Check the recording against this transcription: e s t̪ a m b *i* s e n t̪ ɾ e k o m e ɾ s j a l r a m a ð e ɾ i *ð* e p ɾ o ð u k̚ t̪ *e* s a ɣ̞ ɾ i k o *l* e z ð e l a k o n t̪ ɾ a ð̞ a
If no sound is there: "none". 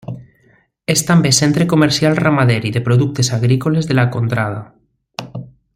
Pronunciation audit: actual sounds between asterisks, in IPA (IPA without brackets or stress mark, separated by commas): e, ð, e, l